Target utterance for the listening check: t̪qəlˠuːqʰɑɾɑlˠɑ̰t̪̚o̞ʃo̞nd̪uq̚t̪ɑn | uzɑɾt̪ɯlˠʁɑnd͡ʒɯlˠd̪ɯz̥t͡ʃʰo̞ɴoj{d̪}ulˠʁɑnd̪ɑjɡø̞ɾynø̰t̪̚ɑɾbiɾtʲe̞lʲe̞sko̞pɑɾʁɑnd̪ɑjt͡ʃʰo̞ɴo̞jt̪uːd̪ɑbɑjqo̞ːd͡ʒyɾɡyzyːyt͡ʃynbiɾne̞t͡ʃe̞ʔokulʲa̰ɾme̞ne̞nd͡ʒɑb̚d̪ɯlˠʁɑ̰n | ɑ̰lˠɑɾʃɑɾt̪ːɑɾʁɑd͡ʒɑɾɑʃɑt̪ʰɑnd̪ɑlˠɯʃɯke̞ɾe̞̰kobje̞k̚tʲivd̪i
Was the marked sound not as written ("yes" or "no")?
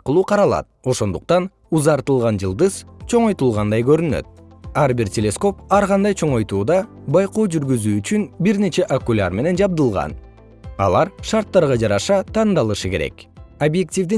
yes